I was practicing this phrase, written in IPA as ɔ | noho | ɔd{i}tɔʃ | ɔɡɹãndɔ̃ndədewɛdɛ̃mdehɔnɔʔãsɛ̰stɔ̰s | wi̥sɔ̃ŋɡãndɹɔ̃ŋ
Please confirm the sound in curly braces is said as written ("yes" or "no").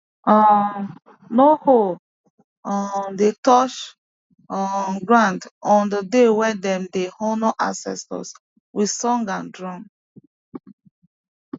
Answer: no